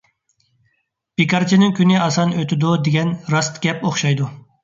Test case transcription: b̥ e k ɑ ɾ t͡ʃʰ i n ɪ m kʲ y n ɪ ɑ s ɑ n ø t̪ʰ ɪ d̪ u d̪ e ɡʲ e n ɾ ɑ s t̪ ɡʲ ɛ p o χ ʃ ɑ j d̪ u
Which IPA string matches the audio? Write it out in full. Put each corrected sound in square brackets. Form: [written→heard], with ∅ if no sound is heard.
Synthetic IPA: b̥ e k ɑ ɾ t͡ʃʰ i n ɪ [m→ŋ] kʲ y n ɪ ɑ s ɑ n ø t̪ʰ ɪ d̪ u d̪ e ɡʲ [e→ɛ] n ɾ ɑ s t̪ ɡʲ ɛ p o χ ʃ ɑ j d̪ u

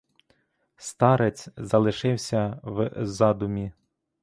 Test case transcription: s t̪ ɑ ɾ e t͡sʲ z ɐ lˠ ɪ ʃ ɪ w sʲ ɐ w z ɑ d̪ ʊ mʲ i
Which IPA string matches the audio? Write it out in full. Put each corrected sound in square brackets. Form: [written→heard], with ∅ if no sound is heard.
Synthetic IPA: s t̪ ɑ ɾ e t͡sʲ z ɐ lˠ ɪ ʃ ɪ w sʲ ɐ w z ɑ d̪ ʊ mʲ i

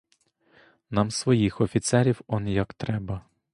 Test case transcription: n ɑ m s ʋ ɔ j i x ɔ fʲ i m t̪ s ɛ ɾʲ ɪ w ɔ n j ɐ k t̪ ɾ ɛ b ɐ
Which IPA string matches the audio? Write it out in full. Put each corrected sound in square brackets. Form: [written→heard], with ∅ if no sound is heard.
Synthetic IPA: n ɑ m s ʋ ɔ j i x ɔ fʲ i [m→∅] t̪ s ɛ ɾʲ [ɪ→i] w ɔ n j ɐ k t̪ ɾ ɛ b ɐ

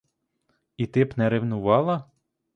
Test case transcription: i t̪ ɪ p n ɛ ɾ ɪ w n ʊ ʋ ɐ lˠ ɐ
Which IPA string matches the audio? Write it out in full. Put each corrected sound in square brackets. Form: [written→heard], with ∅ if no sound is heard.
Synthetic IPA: i t̪ ɪ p n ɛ ɾ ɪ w n ʊ ʋ [ɐ→ɑ] lˠ ɐ

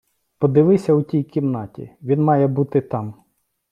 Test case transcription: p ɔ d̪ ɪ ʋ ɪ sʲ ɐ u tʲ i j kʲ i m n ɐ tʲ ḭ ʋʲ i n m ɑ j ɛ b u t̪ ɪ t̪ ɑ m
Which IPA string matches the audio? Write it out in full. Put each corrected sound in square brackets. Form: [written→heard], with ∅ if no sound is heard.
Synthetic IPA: p ɔ d̪ ɪ ʋ ɪ sʲ ɐ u tʲ i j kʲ i m n [ɐ→ɑ] tʲ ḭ ʋʲ i n m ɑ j ɛ b u t̪ ɪ t̪ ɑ m

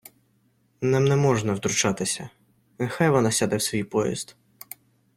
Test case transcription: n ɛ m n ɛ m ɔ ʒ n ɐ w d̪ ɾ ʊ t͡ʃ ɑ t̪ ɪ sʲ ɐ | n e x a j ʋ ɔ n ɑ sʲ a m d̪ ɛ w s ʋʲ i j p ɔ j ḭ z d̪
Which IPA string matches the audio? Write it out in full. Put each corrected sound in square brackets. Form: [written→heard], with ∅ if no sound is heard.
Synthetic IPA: n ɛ m n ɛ m ɔ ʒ n ɐ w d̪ ɾ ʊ t͡ʃ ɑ t̪ ɪ sʲ ɐ | n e x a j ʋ ɔ n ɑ sʲ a [m→∅] d̪ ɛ w s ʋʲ i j p ɔ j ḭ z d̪

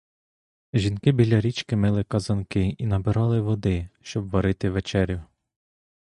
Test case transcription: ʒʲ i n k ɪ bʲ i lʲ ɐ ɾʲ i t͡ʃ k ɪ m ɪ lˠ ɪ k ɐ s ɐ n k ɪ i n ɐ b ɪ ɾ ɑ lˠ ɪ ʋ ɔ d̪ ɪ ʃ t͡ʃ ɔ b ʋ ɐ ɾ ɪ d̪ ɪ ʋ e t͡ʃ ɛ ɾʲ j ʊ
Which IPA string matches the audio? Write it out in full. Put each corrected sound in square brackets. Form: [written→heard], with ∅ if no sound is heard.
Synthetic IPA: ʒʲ i n k ɪ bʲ i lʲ ɐ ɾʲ i t͡ʃ k ɪ m ɪ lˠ ɪ k ɐ [s→z] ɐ n k ɪ i n ɐ b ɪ ɾ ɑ lˠ ɪ ʋ ɔ d̪ ɪ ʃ t͡ʃ ɔ b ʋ ɐ ɾ ɪ [d̪→t̪] ɪ ʋ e t͡ʃ ɛ ɾʲ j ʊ

